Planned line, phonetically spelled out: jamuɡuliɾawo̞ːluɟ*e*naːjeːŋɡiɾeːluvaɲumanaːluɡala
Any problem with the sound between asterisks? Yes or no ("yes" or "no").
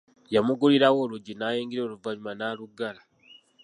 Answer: yes